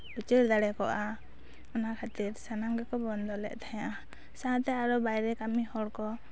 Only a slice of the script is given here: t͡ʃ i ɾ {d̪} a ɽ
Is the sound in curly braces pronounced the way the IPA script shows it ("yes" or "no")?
yes